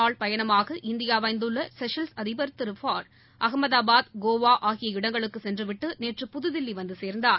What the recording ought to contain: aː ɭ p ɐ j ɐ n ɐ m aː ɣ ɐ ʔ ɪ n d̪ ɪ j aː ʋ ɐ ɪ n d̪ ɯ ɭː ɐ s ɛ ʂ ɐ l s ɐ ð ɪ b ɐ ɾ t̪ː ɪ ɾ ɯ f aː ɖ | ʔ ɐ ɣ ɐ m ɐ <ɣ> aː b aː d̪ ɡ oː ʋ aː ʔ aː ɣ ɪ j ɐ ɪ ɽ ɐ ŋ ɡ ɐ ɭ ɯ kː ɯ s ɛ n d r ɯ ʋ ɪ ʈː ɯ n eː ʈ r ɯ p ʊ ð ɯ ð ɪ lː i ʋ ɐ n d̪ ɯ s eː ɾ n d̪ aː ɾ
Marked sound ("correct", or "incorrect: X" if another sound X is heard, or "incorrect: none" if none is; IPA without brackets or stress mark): incorrect: ð